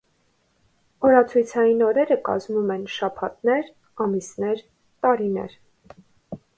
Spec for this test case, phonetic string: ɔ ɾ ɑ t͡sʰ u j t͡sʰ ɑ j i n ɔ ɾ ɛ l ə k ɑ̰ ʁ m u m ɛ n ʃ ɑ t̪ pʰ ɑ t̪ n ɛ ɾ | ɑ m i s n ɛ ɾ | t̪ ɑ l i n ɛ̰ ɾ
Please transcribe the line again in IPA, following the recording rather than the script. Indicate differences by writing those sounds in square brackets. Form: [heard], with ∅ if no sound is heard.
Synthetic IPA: ɔ ɾ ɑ t͡sʰ u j t͡sʰ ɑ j i n ɔ ɾ ɛ [ɾ] ə k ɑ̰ [z] m u m ɛ n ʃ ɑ [∅] pʰ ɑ t̪ n ɛ ɾ | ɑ m i s n ɛ ɾ | t̪ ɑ [ɾ] i n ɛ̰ ɾ